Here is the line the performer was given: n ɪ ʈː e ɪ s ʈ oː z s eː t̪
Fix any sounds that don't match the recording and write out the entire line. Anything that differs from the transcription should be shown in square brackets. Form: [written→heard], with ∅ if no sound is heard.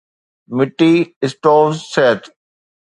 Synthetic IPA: [n→m] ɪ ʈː [e→i] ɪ s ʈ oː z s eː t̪